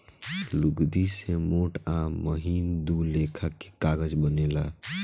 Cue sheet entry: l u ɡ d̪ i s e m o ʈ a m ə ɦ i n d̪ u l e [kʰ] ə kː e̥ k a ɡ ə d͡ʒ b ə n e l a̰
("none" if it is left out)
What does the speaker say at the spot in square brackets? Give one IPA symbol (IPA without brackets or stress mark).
kʰ